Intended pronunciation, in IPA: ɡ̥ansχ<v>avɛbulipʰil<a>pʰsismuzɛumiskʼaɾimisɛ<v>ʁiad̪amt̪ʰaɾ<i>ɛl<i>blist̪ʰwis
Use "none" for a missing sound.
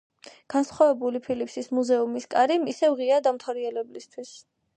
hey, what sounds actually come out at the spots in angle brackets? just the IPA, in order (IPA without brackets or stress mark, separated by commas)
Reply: w, i, v, i, ɛ